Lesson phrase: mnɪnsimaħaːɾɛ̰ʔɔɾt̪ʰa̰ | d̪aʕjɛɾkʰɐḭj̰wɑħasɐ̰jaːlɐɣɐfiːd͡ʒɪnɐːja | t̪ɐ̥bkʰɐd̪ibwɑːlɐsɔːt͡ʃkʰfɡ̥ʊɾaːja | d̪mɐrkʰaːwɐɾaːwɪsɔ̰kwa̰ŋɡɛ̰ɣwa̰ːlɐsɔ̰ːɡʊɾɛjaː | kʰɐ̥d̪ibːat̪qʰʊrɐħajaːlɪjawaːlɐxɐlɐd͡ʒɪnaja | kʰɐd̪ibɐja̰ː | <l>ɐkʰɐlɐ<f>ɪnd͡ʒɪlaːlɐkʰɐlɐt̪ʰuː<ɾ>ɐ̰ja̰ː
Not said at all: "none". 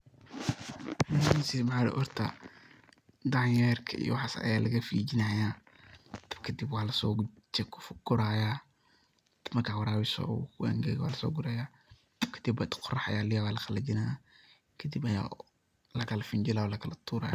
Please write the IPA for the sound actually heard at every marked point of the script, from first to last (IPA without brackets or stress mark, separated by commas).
l, f, ɾ